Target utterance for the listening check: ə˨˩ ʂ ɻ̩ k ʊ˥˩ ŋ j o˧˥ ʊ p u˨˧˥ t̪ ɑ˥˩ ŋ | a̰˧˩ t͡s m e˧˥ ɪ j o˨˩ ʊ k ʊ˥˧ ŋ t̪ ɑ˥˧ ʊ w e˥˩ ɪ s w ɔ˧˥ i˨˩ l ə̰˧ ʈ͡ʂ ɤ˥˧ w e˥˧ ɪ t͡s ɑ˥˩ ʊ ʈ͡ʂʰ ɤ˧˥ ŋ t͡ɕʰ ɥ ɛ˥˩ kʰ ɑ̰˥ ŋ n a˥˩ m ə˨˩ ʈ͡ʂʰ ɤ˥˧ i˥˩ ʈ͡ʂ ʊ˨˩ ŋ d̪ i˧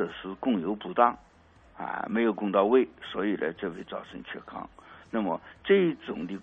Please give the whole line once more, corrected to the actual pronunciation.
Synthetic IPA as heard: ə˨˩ ʂ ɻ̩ k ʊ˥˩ ŋ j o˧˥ ʊ p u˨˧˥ t̪ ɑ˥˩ ŋ | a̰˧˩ m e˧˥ ɪ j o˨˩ ʊ k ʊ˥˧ ŋ t̪ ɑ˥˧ ʊ w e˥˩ ɪ s w ɔ˧˥ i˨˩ l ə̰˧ ʈ͡ʂ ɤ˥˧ w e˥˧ ɪ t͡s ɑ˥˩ ʊ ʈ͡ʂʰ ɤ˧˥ ŋ t͡ɕʰ ɥ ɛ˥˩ kʰ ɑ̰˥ ŋ n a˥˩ m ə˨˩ ʈ͡ʂ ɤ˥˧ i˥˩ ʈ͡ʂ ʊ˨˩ ŋ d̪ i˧